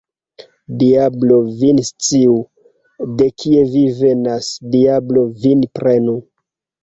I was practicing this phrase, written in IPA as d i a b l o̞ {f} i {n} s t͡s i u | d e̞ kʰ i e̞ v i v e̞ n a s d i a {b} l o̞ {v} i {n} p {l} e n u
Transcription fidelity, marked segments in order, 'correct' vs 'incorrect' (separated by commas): incorrect, correct, correct, correct, correct, incorrect